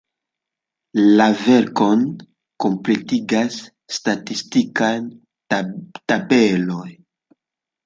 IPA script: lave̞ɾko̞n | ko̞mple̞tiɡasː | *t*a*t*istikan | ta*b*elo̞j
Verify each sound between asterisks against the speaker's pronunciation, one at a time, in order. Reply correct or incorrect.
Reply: correct, correct, correct

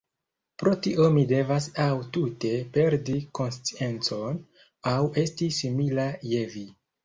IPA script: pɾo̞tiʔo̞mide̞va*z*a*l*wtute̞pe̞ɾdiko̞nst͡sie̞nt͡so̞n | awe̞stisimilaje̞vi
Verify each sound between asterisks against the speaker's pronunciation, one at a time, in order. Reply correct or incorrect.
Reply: incorrect: s, incorrect: none

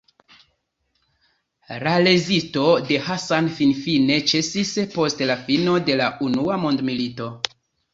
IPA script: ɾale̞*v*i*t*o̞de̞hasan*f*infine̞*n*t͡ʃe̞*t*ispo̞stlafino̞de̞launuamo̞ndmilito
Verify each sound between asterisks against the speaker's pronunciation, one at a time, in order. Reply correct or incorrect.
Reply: incorrect: z, correct, correct, incorrect: none, incorrect: s

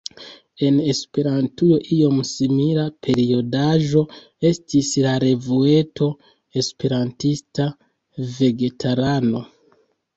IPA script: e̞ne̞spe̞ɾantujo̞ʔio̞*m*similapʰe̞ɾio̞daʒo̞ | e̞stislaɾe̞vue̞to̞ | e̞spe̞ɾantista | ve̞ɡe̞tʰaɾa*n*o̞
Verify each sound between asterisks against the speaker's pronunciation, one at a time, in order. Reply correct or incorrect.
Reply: correct, correct

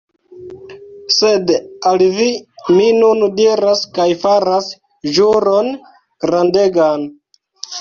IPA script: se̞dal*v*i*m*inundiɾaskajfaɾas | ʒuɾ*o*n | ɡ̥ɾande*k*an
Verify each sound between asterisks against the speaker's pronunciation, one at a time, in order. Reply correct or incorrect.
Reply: correct, correct, correct, incorrect: ɡ

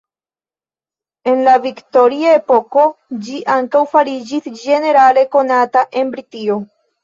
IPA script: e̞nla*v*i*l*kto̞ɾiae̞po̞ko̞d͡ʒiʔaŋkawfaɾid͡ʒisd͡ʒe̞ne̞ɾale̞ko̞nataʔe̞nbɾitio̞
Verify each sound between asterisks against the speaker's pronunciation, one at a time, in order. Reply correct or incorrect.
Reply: correct, incorrect: none

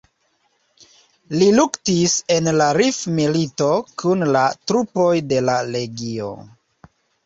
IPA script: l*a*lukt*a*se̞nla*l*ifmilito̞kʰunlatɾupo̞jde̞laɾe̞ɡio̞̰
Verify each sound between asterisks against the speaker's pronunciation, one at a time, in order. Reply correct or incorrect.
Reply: incorrect: i, incorrect: i, incorrect: ɾ

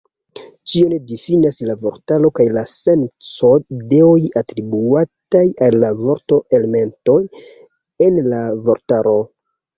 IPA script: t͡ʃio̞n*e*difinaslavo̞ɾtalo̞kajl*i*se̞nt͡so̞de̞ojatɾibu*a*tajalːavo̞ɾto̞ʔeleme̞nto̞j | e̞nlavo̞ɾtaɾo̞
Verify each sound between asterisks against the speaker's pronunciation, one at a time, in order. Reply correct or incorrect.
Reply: correct, incorrect: a, correct

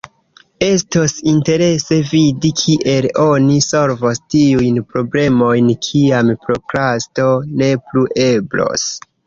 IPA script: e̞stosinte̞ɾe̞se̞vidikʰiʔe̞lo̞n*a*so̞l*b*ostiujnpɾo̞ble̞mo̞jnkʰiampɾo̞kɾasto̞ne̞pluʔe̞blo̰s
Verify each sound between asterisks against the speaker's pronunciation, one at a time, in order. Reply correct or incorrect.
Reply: incorrect: i, incorrect: v

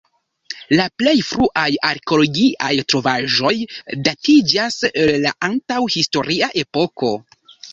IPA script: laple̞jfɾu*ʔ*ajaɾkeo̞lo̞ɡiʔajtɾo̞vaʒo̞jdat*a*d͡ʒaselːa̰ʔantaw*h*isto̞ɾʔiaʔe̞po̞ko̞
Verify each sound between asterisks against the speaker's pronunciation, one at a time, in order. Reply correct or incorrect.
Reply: correct, incorrect: i, correct

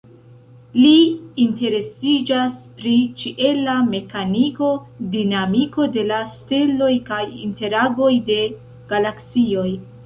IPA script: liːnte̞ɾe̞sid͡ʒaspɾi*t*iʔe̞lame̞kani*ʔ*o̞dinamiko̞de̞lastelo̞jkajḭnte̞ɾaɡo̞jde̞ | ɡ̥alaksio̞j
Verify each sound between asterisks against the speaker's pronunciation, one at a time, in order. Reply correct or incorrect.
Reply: incorrect: t͡ʃ, incorrect: k

